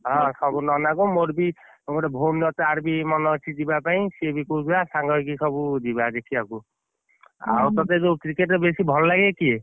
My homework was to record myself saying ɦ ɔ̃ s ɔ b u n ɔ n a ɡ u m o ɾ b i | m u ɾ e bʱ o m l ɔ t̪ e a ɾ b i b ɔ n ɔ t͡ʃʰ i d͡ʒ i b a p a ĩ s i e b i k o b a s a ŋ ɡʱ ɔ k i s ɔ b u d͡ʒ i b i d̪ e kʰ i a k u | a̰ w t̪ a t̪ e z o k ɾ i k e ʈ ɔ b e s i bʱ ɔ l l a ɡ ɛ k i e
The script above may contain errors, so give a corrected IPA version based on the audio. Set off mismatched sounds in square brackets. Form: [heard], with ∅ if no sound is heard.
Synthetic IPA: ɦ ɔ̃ s ɔ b u n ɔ n a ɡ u m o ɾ b i | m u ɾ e bʱ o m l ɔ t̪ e a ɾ b i [m] ɔ n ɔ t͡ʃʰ i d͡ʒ i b a p a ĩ s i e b i k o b a s a ŋ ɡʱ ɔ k i s ɔ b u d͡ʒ i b [a] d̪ e kʰ i a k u | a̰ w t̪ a t̪ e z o k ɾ i k e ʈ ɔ b e s i bʱ ɔ l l a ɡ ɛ k i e

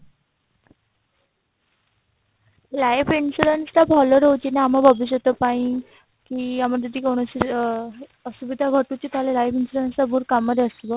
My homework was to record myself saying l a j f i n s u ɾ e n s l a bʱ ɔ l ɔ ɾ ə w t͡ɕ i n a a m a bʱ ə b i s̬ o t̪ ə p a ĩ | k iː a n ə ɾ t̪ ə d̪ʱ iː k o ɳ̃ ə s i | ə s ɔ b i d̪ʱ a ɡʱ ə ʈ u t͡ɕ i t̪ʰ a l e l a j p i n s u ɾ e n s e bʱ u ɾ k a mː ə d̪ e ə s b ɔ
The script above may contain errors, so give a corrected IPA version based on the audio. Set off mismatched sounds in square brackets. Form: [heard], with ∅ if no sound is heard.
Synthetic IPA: l a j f i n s u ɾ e n s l a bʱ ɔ l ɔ ɾ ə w t͡ɕ i n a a m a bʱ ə b i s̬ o t̪ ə p a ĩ | k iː a [m] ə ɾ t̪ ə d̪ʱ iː k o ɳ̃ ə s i | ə s [u] b i d̪ʱ a ɡʱ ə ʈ u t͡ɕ i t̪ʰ a l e l a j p i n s u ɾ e n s [a] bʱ u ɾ k a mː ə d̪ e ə s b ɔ

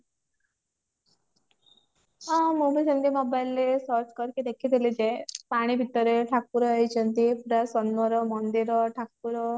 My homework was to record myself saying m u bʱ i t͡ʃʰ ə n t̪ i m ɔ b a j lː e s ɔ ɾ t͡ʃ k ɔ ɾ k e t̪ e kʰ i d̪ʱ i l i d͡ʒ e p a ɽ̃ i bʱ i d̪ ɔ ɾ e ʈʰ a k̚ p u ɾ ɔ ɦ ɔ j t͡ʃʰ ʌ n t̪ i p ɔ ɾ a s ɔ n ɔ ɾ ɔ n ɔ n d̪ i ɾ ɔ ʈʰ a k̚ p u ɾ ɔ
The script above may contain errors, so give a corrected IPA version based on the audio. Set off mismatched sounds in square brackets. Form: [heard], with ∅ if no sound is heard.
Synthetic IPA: m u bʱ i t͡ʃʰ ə n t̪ i m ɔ b a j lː e s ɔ ɾ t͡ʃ k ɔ ɾ k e [d̪] e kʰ i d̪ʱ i l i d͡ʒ e p a ɽ̃ i bʱ i [t̪] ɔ ɾ e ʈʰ a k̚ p u ɾ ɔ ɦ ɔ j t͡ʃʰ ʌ n t̪ i p [u] ɾ a s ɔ n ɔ ɾ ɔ [m] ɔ n d̪ i ɾ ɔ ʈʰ a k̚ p u ɾ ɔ

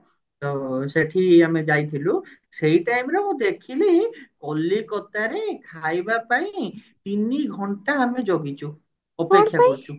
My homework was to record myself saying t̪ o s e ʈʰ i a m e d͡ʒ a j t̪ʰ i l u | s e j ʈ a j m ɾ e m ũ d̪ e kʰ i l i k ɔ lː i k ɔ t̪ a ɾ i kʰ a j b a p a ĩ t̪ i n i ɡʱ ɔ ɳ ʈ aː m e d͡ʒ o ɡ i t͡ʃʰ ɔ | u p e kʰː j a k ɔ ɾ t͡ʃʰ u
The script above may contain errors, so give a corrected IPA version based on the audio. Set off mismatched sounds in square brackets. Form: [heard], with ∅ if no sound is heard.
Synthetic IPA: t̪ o s e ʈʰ i a m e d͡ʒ a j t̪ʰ i l u | s e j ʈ a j m ɾ e m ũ d̪ e kʰ i l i k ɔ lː i k ɔ t̪ a ɾ [e] kʰ a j b a p a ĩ t̪ i n i ɡʱ ɔ ɳ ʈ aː m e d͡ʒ o ɡ i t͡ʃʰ [u] | [ɔ] p e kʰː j a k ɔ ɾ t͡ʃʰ u

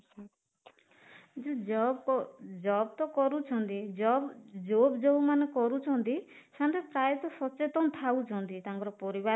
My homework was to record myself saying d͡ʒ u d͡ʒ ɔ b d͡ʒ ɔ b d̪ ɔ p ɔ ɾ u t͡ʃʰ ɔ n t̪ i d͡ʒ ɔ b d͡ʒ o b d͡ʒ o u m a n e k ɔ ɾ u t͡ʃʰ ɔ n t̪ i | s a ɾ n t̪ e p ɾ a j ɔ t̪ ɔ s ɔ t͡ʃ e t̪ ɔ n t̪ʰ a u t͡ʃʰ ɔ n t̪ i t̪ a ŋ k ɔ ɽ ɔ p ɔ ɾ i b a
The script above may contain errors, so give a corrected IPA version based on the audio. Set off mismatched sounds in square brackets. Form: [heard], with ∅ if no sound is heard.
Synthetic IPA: d͡ʒ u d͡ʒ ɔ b d͡ʒ ɔ b [t̪] ɔ [k] ɔ ɾ u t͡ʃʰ ɔ n t̪ i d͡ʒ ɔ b d͡ʒ o b d͡ʒ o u m a n e k ɔ ɾ u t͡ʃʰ ɔ n t̪ i | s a [∅] n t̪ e p ɾ a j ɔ t̪ ɔ s ɔ t͡ʃ e t̪ ɔ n t̪ʰ a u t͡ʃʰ ɔ n t̪ i t̪ a ŋ k ɔ [ɾ] ɔ p ɔ ɾ i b a

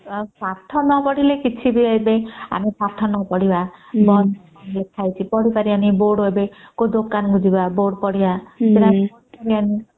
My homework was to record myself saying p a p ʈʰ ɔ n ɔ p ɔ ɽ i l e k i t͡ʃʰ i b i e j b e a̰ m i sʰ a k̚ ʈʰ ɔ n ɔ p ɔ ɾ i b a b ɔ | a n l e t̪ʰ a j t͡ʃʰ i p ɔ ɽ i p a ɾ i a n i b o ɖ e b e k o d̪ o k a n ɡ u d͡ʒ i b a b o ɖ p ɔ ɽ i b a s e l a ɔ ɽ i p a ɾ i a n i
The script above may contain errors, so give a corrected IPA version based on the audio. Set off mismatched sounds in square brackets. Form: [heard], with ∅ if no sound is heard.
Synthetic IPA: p a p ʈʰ ɔ n ɔ p ɔ ɽ i l e k i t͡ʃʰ i b i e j b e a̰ m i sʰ a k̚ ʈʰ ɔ n ɔ p ɔ [ɽ] i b a b ɔ | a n l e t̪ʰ a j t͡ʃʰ i p ɔ ɽ i p a ɾ i a n i b o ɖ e b e k o d̪ o k a n ɡ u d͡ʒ i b a b o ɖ p ɔ ɽ i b a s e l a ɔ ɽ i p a ɾ i a n i

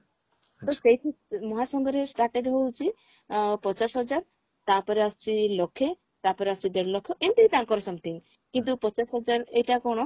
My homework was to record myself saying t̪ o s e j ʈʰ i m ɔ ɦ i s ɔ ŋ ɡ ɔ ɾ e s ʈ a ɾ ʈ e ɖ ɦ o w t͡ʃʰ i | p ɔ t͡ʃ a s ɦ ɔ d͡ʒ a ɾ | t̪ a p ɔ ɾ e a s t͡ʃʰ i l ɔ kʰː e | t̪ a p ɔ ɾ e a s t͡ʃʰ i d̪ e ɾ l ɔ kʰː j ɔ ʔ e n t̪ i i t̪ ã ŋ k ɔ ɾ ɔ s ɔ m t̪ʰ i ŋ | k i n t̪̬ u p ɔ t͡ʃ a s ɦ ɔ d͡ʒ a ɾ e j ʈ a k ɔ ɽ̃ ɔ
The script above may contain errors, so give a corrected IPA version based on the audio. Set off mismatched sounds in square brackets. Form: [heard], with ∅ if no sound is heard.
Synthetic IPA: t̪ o s e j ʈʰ i m ɔ ɦ [a] s ɔ ŋ ɡ ɔ ɾ e s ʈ a ɾ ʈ e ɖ ɦ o w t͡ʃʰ i | p ɔ t͡ʃ a s ɦ ɔ d͡ʒ a ɾ | t̪ a p ɔ ɾ e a s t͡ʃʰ i l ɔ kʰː e | t̪ a p ɔ ɾ e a s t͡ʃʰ i d̪ e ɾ l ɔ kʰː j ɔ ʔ e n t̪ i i t̪ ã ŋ k ɔ ɾ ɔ s ɔ m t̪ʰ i ŋ | k i n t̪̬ u p ɔ t͡ʃ a s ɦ ɔ d͡ʒ a ɾ e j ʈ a k ɔ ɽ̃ ɔ

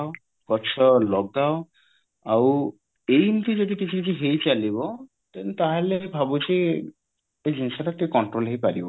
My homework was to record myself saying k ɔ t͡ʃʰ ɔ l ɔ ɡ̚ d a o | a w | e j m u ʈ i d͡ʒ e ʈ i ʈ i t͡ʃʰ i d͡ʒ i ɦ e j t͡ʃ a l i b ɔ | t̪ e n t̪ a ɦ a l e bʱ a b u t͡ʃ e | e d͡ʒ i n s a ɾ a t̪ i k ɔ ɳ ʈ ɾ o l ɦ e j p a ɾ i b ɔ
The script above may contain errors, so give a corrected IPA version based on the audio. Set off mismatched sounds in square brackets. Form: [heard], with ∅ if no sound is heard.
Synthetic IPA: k ɔ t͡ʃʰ ɔ l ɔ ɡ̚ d a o | a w | e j m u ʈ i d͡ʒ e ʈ i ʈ i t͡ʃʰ i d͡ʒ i ɦ e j t͡ʃ a l i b ɔ | t̪ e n t̪ a ɦ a l e bʱ a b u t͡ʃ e | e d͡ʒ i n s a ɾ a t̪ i k ɔ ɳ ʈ ɾ o l ɦ e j p a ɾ i b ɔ

